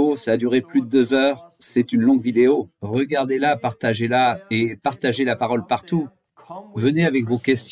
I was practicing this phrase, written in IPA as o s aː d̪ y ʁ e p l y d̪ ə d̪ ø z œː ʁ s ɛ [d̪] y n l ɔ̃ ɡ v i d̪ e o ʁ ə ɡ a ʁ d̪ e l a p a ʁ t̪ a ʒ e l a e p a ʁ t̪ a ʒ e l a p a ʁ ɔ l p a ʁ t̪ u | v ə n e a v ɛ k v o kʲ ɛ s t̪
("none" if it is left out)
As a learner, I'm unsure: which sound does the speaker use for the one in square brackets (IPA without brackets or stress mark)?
t̪